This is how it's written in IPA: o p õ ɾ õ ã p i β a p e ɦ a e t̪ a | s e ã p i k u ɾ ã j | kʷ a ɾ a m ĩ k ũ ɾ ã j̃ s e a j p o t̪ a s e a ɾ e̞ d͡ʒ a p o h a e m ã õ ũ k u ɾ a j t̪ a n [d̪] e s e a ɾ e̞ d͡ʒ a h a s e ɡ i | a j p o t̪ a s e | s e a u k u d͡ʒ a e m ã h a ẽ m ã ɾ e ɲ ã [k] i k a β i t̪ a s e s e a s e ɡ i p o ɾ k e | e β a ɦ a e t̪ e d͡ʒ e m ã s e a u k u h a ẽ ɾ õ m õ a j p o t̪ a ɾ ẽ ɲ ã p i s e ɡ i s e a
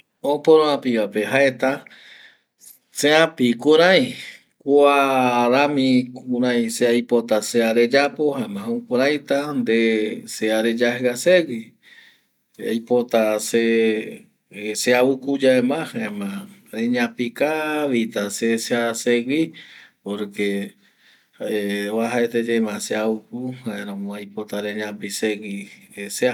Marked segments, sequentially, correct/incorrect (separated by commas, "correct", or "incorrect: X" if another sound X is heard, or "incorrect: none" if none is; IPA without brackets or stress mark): correct, incorrect: p